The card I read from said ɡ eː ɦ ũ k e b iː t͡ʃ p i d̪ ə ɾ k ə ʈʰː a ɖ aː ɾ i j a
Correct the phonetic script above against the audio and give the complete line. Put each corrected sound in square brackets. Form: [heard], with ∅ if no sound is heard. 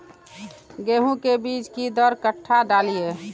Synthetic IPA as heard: ɡ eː ɦ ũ k e b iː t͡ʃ [k] i d̪ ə ɾ k ə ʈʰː a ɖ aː [l] i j [e]